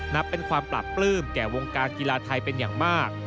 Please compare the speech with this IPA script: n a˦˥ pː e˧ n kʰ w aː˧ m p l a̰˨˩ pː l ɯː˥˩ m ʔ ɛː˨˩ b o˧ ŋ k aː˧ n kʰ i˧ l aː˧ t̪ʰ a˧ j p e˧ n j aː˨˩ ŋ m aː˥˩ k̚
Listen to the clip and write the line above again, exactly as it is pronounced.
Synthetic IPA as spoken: n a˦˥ pː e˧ n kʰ w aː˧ m p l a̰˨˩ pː l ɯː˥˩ m k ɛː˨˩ w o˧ ŋ k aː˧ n k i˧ l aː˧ t̪ʰ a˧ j p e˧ n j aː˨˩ ŋ m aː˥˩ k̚